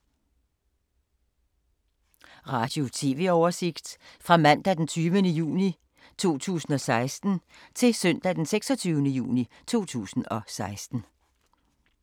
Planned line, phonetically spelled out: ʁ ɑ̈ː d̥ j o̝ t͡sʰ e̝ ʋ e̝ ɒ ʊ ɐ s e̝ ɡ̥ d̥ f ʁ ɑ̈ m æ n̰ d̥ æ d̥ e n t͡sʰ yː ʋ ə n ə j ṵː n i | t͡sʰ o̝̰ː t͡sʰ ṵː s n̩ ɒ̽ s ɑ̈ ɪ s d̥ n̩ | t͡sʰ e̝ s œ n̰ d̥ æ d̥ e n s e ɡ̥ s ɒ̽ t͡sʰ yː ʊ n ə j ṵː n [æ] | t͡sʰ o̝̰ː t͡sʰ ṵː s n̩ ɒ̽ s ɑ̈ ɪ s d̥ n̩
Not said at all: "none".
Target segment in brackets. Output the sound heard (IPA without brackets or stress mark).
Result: i